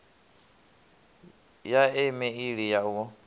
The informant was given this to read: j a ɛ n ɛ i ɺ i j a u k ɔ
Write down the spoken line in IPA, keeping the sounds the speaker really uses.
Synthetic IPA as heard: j a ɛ m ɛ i ɺ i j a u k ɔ